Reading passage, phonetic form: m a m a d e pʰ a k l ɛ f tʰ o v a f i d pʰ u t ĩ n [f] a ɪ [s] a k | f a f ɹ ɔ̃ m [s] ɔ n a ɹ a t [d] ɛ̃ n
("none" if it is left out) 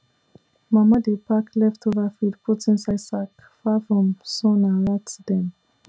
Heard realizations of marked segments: s, s, s, d

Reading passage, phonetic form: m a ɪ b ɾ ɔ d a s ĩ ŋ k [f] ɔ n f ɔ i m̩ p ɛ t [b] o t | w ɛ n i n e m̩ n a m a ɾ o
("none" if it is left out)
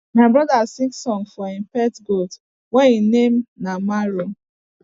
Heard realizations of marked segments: s, ɡ

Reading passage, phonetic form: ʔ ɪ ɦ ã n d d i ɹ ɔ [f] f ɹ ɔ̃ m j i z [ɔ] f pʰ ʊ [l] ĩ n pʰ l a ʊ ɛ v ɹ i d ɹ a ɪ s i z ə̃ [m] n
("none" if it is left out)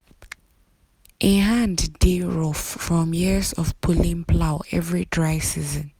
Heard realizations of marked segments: f, ɔ, l, none

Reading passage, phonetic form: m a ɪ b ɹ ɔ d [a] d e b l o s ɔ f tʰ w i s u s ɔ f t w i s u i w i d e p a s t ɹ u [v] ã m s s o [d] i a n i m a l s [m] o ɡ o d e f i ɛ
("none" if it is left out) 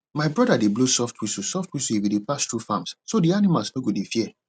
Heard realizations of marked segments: a, f, d, n

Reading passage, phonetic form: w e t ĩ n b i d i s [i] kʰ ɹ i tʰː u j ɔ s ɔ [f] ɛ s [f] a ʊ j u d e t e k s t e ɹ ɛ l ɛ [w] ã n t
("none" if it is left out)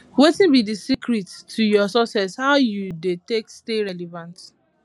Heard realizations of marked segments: i, s, h, v

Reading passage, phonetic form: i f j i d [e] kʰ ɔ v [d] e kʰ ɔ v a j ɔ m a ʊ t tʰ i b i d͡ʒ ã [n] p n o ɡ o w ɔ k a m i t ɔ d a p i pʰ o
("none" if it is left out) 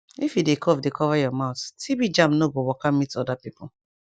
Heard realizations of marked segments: e, d, m

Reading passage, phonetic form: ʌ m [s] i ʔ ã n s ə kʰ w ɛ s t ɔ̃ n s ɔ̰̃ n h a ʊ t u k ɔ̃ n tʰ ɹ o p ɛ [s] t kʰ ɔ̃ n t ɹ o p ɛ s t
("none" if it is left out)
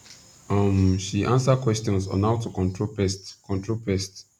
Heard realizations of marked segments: ʃ, s

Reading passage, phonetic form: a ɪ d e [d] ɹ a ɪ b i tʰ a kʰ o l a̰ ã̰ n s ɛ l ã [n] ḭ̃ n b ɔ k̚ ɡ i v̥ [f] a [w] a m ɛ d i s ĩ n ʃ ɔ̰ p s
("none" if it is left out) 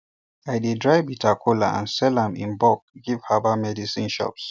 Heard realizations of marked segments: d, m, h, b

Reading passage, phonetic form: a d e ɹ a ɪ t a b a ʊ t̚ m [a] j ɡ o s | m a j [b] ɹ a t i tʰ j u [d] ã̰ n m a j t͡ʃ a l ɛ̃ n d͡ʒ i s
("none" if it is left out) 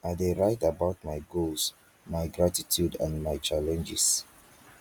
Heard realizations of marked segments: a, ɡ, d

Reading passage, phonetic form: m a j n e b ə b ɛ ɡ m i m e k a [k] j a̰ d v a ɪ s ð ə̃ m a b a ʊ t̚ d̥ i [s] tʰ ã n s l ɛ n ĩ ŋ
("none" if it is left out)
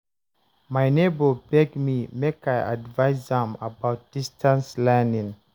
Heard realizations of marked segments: none, s

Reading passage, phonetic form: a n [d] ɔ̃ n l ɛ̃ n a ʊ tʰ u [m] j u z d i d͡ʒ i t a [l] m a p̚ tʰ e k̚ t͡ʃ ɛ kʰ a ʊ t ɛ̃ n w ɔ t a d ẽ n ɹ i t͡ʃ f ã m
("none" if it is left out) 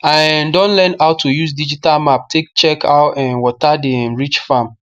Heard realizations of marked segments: d, none, l

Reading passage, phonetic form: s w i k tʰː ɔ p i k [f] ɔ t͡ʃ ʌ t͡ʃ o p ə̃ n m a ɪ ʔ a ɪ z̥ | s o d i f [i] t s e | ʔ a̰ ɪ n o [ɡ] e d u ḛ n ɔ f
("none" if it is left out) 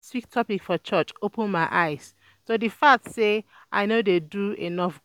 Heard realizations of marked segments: f, a, d

